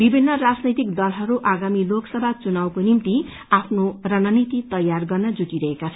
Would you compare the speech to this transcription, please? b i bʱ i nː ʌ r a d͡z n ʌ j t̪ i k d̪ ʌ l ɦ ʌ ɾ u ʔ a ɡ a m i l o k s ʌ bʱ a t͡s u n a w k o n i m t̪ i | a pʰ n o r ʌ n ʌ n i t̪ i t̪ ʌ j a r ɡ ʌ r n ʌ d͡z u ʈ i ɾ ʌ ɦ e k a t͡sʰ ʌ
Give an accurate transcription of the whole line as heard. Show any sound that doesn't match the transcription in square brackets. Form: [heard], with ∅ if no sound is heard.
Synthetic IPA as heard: b i bʱ i nː ʌ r a d͡z n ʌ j t̪ i k d̪ ʌ l ɦ ʌ ɾ u ʔ a ɡ a m i l o k s ʌ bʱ a t͡s u n a w k o n i m t̪ i | a pʰ n o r ʌ n ʌ n i t̪ i t̪ ʌ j a r ɡ ʌ r n ʌ d͡z u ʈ i ɾ ʌ ɦ e k a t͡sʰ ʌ

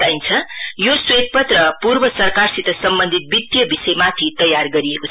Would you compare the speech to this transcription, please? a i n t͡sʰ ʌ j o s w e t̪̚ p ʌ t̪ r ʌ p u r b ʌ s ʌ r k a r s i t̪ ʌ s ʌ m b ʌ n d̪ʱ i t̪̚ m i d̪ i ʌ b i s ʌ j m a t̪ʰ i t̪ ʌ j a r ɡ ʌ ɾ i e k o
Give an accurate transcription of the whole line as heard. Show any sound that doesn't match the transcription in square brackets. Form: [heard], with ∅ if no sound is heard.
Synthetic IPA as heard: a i n t͡sʰ ʌ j o s w e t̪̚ p ʌ t̪ r ʌ p u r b ʌ s ʌ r k a r s i t̪ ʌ s ʌ m b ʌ n d̪ʱ i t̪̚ [b] i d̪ [j] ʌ b i s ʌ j m a t̪ʰ i t̪ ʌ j a r ɡ ʌ ɾ i e k o

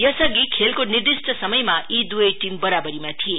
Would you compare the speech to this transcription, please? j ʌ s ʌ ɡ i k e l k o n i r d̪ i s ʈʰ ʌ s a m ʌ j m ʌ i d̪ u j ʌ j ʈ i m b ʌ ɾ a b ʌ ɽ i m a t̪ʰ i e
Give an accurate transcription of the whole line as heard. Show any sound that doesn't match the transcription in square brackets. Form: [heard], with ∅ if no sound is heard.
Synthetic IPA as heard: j ʌ s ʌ ɡ i [kʰ] e l k o n i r d̪ i s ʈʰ ʌ s [ʌ] m ʌ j m [a] i d̪ u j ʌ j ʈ i m b ʌ ɾ a b ʌ [ɾ] i m a t̪ʰ i e

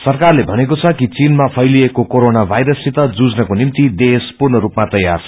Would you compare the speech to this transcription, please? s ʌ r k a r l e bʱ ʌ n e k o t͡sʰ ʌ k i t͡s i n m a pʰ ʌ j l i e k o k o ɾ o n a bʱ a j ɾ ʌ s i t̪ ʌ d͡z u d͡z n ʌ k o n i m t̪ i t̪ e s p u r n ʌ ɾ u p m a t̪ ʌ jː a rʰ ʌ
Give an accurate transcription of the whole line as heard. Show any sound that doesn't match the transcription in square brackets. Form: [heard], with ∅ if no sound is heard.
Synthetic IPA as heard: s ʌ r k a r l e bʱ ʌ n e k o t͡sʰ ʌ k i t͡s i n m a pʰ ʌ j l i e k o k o ɾ o n a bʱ a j ɾ ʌ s i t̪ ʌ d͡z u d͡z n ʌ k o n i m t̪ i [d̪] e s p u r n ʌ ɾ u p m a t̪ ʌ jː a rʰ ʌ

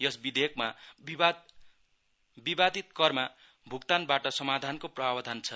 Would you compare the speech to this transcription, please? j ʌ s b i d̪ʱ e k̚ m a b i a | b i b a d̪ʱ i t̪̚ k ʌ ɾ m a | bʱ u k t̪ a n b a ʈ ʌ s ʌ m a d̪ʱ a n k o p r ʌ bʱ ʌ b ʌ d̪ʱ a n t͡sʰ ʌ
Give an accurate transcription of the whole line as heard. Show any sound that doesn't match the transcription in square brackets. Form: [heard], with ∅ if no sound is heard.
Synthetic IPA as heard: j ʌ s b i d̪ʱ e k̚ m a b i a | b i b a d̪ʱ i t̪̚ k ʌ [r] m a | bʱ u k t̪ a n b a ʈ ʌ s ʌ m a d̪ʱ a n k o p r ʌ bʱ [a] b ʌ d̪ʱ a n t͡sʰ ʌ

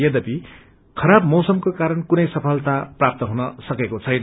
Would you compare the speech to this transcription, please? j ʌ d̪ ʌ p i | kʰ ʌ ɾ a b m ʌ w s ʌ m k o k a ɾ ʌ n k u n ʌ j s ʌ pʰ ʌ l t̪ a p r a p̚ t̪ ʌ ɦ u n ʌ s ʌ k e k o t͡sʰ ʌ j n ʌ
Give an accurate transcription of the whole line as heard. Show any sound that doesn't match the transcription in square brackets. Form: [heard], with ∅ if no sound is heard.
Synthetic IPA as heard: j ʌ d̪ ʌ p i | kʰ ʌ ɾ a b m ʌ w s ʌ m k o k a ɾ ʌ n k u n ʌ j s ʌ pʰ ʌ l t̪ a p r a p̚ t̪ ʌ ɦ u n ʌ s ʌ k e k o t͡sʰ ʌ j n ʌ

